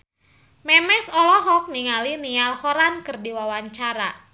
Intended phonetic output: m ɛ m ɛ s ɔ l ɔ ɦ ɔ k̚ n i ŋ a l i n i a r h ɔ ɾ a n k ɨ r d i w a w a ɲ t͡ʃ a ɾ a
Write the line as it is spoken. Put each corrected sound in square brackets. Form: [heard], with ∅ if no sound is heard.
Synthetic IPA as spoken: m ɛ m ɛ s ɔ l ɔ ɦ ɔ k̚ n i ŋ a l i n i a [l] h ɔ ɾ a n k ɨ r d i w a w a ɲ t͡ʃ a ɾ a